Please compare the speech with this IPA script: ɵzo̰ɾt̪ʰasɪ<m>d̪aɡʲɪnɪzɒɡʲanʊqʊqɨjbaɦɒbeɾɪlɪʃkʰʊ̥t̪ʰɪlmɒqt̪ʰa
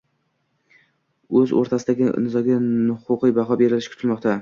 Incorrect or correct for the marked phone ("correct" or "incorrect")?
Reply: incorrect